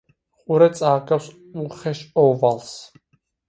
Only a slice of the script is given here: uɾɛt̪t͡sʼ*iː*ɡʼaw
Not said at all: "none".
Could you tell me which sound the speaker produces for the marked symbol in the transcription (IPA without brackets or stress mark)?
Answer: aː